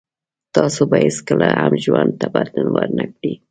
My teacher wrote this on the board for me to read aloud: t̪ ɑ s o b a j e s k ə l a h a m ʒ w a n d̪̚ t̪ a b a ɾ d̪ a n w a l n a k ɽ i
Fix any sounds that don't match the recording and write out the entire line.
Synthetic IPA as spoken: t̪ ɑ s o b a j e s k ə l a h a m ʒ w a n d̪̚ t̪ a b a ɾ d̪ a n w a ɾ n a k ɽ i